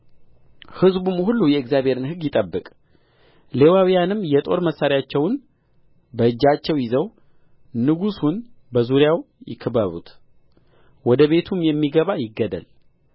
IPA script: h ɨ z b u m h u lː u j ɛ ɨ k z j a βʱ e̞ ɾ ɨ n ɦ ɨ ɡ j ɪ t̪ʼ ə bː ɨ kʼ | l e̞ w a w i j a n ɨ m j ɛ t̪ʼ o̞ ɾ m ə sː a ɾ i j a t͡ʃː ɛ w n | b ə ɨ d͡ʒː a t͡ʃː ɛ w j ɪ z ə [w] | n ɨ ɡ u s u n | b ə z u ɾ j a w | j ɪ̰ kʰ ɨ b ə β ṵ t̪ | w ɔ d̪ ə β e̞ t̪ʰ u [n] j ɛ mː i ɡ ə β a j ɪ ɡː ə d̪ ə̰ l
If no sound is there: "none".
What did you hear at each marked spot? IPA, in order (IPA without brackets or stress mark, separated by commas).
w, m